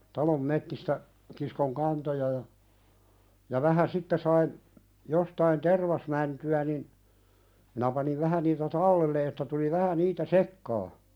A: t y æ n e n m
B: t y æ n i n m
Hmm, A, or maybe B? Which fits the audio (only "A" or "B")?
B